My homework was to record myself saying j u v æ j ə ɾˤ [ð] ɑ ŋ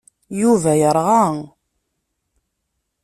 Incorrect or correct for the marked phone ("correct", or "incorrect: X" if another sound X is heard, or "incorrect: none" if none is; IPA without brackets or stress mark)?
incorrect: ʁ